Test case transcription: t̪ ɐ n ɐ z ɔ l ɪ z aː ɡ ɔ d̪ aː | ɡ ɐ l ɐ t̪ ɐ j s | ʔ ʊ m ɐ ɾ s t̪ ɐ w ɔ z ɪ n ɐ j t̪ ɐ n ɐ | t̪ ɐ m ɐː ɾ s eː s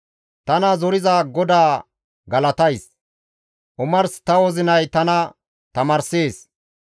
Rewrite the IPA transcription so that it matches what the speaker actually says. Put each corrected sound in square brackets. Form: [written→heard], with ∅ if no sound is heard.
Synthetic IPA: t̪ ɐ n ɐ z ɔ [l→ɾ] ɪ z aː ɡ ɔ d̪ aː | ɡ ɐ l ɐ t̪ ɐ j s | ʔ ʊ m ɐ ɾ s t̪ ɐ w ɔ z ɪ n ɐ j t̪ ɐ n ɐ | t̪ ɐ m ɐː ɾ s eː s